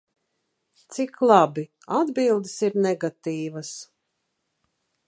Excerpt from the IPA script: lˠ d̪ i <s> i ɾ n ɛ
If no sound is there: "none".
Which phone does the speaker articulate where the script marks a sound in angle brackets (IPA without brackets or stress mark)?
s